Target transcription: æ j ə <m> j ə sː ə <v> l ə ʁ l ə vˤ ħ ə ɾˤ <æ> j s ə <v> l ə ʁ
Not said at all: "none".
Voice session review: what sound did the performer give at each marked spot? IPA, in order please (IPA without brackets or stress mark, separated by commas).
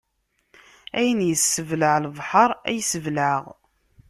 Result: n, v, æ, v